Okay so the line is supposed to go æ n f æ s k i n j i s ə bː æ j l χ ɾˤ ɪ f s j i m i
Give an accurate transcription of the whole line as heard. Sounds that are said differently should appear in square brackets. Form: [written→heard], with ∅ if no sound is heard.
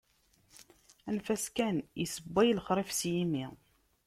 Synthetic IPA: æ n f æ s k [i→æ] n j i s ə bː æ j l χ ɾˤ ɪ f s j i m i